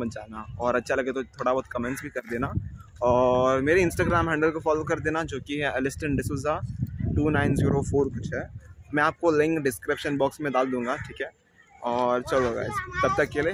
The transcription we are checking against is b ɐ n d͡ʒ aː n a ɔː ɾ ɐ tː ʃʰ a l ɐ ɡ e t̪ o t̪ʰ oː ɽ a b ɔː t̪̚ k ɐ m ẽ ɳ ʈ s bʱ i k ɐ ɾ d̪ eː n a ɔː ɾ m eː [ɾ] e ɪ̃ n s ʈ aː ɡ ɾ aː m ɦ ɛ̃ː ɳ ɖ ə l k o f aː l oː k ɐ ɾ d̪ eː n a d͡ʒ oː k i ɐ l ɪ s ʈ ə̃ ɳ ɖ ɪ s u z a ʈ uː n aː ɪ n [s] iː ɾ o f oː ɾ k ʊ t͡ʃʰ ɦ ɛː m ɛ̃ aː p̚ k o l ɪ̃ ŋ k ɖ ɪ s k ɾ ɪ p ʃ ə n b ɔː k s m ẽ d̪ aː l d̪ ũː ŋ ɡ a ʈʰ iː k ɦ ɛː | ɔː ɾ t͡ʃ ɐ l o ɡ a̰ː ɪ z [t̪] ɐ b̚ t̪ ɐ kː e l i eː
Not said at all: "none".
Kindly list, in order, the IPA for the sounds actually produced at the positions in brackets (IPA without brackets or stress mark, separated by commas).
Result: ɾ, z, t̪